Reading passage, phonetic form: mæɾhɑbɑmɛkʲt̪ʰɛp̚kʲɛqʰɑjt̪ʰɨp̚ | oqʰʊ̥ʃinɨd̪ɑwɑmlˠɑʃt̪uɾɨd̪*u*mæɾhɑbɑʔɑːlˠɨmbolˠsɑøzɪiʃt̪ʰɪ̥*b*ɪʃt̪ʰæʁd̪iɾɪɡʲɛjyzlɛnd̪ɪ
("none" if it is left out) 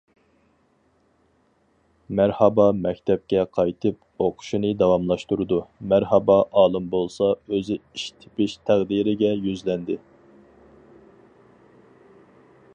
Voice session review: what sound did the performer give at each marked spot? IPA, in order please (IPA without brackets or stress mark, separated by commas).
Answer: u, p